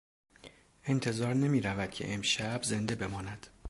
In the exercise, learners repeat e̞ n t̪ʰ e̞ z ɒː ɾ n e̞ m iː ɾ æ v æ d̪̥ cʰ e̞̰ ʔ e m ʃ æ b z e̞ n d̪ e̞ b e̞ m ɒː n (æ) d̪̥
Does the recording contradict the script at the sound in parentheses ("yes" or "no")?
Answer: no